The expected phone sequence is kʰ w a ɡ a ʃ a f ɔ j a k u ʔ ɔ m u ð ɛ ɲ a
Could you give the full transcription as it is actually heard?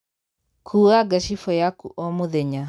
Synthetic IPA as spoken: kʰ u a ɡ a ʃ i f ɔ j a k u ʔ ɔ m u ð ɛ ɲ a